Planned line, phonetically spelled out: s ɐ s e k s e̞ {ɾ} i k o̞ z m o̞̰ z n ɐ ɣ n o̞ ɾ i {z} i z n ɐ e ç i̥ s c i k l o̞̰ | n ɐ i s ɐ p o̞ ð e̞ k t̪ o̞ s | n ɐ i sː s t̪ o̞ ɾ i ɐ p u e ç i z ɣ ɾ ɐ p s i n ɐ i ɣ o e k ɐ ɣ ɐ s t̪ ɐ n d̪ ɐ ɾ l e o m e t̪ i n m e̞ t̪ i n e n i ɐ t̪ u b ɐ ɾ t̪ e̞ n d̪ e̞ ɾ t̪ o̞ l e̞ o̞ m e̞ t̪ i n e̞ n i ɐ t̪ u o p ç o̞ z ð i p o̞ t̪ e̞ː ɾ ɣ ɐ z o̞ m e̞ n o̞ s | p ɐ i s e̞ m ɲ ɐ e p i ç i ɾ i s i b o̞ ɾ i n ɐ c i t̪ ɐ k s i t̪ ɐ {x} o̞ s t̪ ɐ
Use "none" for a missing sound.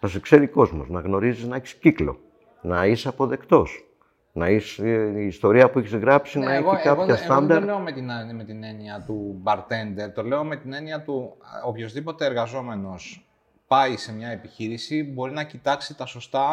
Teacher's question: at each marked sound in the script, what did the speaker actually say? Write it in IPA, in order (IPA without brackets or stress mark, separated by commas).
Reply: ɾ, z, s